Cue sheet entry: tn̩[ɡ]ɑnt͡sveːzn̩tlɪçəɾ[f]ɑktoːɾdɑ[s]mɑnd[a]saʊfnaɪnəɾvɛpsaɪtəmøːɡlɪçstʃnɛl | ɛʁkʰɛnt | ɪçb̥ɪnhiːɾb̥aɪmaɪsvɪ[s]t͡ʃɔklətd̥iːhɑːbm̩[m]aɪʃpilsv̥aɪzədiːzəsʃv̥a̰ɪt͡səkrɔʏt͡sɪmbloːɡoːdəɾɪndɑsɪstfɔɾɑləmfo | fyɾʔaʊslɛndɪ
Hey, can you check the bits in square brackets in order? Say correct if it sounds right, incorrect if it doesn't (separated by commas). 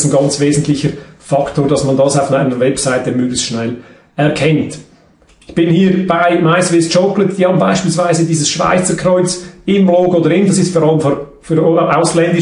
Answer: correct, correct, correct, incorrect, correct, incorrect